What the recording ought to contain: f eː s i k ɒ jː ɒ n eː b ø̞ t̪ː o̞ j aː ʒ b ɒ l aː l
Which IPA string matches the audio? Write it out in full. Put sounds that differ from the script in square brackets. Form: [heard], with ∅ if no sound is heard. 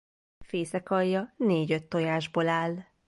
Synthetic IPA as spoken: f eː s [ɛ] k ɒ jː ɒ n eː [ɟ] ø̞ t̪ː o̞ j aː ʒ b [o] l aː l